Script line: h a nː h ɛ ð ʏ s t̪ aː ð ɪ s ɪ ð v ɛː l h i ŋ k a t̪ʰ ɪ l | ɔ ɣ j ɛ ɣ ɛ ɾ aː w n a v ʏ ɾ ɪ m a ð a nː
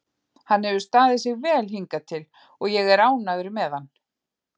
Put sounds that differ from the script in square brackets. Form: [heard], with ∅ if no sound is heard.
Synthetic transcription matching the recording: h a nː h ɛ [v] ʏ s t̪ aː ð ɪ s ɪ [ɣ] v ɛː l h i ŋ k a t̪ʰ ɪ l | ɔ ɣ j ɛ ɣ ɛ ɾ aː w n a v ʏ ɾ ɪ m [ɛ] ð a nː